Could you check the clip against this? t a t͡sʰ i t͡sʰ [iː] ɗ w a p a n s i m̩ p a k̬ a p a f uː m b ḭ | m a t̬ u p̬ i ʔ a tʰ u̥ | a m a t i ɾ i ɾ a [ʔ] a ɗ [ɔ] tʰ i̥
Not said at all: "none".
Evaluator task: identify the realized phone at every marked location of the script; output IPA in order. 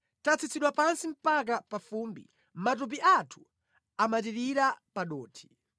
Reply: i, p, ɔː

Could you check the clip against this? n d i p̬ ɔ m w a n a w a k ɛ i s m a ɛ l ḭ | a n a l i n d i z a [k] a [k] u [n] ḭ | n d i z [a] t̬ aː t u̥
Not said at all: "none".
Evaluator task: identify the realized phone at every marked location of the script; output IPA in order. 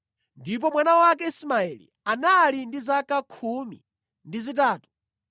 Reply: k, kʰ, m, i

